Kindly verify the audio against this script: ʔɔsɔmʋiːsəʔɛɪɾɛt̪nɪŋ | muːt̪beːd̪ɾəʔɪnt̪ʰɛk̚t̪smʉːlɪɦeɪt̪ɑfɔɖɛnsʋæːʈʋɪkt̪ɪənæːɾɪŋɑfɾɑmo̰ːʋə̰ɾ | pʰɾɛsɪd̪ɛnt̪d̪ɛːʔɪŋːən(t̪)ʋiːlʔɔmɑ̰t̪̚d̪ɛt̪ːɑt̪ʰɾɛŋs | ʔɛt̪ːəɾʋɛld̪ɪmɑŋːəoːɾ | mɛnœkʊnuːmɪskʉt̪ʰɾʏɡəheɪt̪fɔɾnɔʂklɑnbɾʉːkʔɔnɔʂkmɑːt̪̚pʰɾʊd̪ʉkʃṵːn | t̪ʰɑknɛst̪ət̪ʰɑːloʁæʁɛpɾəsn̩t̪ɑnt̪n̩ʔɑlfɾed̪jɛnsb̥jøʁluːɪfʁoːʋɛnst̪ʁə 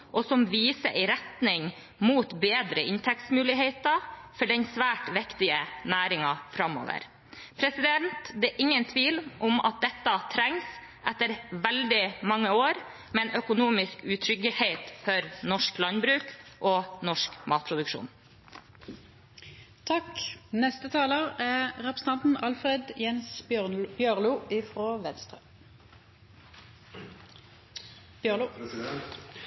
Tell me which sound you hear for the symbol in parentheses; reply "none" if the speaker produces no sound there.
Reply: t̪ʰ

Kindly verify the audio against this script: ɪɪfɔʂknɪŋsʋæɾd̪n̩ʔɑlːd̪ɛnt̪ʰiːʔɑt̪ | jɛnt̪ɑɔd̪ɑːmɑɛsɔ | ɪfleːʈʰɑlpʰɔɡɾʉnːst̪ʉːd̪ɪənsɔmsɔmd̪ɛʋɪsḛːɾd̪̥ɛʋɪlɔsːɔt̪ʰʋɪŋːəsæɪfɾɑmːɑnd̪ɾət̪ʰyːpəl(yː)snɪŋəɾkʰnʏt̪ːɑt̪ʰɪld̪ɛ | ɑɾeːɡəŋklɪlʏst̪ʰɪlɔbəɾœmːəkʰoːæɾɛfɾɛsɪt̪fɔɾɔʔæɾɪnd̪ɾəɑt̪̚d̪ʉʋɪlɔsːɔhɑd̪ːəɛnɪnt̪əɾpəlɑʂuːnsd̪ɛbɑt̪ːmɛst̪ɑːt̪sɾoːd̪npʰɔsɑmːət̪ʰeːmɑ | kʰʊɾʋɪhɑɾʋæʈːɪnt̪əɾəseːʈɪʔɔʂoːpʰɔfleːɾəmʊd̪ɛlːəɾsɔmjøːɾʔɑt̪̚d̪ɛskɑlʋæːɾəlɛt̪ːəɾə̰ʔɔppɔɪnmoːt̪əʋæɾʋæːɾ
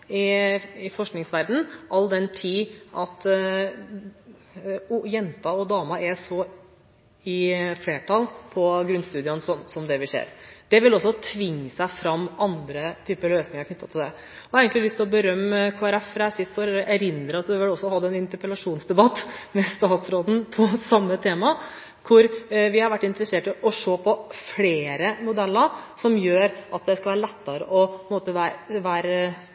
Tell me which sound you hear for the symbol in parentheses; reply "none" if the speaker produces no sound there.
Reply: øː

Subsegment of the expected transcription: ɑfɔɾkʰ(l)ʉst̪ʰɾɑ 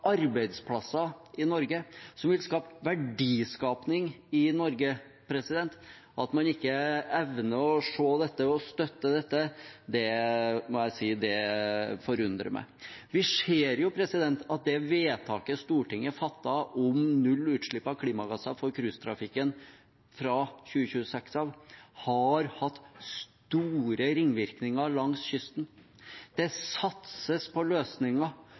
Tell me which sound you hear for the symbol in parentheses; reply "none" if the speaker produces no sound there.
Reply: ɾ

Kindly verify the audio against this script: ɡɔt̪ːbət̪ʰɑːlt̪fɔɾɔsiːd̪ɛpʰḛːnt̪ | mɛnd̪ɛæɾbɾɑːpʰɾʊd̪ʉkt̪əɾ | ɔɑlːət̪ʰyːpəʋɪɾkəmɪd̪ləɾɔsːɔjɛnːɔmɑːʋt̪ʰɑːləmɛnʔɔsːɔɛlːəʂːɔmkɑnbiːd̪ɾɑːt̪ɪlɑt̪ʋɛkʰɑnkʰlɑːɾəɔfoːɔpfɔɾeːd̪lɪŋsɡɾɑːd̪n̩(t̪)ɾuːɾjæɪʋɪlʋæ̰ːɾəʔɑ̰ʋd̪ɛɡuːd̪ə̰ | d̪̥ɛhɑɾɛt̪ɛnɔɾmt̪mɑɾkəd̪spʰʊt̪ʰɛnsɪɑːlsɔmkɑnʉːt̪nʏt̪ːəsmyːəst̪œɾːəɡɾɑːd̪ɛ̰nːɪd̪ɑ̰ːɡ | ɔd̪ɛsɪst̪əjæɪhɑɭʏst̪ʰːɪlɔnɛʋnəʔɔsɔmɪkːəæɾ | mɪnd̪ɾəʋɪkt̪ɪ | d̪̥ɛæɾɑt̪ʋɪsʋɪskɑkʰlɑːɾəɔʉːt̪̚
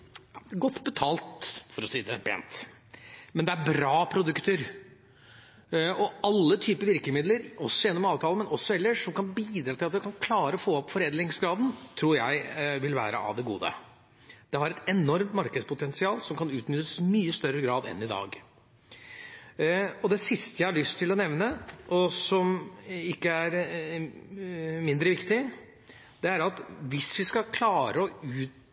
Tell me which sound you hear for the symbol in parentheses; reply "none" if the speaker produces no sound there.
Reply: t̪ʰ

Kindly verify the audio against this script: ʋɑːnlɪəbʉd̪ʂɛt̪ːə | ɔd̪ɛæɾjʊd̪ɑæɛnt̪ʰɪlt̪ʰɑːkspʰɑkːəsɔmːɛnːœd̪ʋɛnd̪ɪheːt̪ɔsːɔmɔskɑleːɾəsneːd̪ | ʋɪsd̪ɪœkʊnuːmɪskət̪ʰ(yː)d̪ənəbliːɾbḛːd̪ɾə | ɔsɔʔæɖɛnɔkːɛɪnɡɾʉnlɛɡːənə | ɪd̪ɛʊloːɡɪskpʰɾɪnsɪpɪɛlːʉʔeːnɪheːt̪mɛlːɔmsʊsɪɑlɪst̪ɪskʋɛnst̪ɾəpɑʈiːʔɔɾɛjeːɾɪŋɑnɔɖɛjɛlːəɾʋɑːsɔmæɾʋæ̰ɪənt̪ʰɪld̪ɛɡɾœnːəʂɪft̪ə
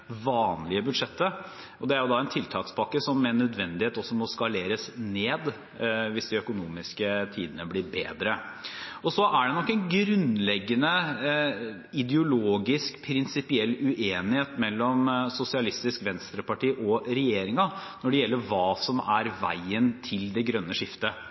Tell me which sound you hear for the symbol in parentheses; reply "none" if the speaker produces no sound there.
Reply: iː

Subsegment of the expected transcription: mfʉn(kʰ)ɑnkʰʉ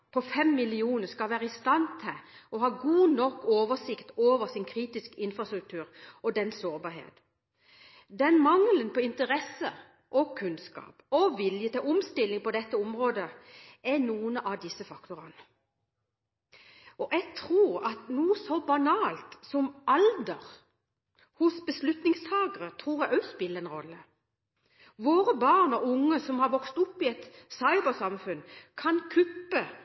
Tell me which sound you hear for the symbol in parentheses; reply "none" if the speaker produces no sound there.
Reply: kʰ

